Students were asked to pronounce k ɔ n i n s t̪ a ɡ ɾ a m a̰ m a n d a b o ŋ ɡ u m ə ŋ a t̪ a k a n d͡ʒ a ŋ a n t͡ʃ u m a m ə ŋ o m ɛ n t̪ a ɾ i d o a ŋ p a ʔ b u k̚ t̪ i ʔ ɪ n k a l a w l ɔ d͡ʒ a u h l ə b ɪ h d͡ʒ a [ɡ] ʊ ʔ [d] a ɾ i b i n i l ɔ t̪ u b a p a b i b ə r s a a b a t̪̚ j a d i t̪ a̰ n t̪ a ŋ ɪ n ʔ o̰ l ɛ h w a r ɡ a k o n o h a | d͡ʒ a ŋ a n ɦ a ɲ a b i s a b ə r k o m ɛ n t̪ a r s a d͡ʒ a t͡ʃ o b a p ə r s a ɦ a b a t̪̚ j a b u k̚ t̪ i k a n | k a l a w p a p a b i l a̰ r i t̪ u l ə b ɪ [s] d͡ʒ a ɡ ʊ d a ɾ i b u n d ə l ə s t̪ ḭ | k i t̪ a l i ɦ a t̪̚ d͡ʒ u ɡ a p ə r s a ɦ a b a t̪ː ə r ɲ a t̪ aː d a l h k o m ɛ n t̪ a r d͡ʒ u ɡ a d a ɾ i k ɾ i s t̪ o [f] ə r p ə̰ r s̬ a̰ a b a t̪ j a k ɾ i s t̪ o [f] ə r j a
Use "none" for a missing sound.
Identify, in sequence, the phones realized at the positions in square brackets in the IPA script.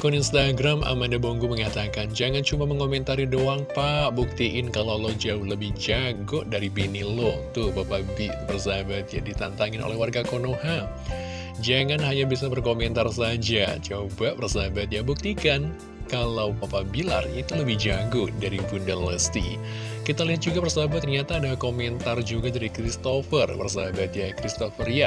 ɡ, d, h, f, f

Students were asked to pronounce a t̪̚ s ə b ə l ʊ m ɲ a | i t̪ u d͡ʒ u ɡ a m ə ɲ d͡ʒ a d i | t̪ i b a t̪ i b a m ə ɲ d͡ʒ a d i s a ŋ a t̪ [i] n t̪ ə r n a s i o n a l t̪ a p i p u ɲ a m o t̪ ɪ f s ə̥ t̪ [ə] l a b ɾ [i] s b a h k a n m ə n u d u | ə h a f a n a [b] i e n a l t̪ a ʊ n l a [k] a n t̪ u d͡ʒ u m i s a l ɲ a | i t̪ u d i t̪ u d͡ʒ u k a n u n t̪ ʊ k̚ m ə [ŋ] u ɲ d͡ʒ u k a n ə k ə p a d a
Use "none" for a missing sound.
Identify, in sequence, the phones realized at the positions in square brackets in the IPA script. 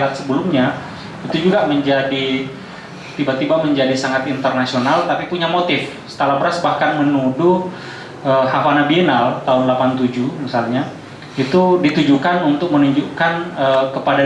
i, a, a, b, p, n

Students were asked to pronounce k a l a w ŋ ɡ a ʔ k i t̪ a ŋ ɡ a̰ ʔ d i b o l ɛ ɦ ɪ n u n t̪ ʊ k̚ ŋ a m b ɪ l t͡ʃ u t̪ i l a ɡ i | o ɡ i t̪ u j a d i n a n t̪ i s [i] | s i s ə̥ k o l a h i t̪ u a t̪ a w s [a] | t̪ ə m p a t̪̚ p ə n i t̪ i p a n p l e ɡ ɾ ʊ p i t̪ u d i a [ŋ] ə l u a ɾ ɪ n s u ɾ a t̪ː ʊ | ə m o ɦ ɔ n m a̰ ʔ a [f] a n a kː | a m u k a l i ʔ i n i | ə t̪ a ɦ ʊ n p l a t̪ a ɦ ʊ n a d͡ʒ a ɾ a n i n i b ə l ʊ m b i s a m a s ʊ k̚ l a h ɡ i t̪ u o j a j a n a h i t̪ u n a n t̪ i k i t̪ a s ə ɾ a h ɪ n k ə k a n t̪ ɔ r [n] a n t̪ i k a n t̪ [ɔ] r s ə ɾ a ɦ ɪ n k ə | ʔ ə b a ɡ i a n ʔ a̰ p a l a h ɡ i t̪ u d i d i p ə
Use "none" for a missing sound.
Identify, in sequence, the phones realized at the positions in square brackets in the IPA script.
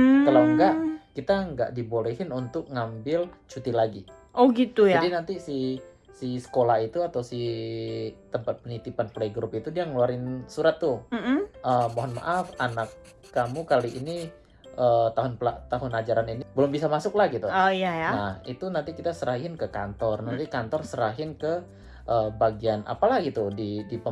i, i, ŋ, f, n, ɔ

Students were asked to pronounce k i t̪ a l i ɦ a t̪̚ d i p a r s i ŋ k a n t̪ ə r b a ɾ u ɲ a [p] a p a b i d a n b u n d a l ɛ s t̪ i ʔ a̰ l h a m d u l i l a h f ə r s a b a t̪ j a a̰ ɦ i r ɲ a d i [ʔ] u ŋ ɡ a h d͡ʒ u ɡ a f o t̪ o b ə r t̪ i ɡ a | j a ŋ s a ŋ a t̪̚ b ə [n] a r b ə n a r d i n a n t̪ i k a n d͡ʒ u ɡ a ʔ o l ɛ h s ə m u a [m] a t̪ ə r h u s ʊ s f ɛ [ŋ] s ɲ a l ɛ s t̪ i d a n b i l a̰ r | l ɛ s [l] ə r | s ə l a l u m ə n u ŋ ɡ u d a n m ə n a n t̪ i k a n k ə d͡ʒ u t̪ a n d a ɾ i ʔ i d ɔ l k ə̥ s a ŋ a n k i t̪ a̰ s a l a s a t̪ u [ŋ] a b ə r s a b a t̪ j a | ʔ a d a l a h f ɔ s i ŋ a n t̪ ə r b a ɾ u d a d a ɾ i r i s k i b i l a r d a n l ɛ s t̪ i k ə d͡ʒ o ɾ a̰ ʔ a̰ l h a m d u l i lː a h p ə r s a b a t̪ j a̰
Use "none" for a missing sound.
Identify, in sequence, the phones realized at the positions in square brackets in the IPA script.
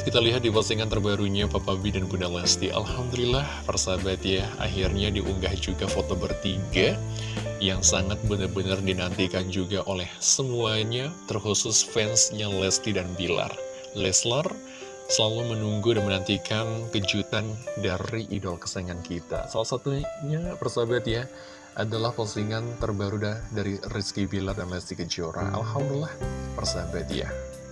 p, ʔ, n, ɲ, n, l, ɲ

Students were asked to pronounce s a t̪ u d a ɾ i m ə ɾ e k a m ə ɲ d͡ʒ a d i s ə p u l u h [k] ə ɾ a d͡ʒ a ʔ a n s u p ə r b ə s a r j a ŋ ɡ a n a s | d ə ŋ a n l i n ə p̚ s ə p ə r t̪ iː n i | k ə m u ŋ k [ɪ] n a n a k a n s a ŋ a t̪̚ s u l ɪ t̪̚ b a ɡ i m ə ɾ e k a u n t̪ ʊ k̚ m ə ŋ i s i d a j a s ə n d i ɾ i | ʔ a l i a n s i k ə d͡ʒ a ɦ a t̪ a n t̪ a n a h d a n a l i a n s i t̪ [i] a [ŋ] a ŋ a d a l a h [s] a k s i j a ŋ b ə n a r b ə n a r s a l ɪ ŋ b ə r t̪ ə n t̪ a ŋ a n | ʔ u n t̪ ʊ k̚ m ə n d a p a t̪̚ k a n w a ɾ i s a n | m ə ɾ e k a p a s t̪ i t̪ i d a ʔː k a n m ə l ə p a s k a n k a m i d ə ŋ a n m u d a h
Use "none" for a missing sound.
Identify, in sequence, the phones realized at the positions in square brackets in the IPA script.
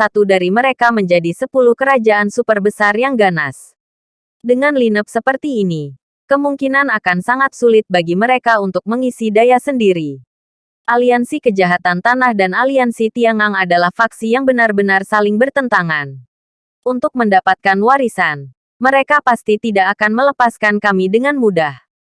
k, i, i, ŋ, f

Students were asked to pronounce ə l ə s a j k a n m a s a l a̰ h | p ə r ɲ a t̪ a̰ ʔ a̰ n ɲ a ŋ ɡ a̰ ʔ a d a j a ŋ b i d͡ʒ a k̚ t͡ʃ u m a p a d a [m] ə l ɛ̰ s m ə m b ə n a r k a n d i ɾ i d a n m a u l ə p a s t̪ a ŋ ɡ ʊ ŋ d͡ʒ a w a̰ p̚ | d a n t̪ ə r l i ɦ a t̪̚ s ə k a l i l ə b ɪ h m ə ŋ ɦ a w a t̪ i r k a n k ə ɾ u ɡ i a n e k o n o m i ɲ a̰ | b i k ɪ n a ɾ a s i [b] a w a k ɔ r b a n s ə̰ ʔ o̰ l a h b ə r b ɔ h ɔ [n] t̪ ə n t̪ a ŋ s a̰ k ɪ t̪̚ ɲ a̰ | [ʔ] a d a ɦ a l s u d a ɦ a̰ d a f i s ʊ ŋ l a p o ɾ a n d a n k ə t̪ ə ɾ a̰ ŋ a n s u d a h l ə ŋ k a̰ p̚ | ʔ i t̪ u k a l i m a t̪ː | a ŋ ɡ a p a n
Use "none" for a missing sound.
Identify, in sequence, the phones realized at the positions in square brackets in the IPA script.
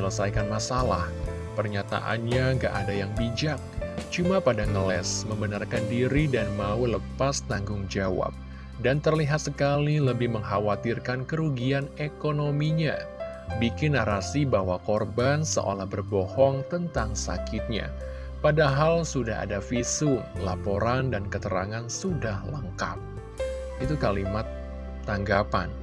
ŋ, b, ŋ, p

